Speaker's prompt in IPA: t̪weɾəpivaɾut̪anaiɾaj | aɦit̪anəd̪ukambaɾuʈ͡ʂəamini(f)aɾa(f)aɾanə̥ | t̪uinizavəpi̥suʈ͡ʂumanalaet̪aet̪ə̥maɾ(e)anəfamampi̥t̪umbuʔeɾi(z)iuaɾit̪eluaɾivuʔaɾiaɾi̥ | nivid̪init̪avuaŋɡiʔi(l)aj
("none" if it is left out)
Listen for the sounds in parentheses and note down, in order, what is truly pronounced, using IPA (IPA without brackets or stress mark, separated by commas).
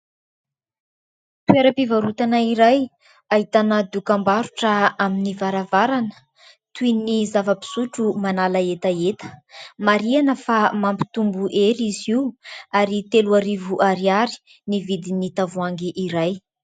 v, v, i, z, ɾ